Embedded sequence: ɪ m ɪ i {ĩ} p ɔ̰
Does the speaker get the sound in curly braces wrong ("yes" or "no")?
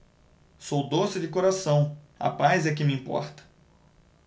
no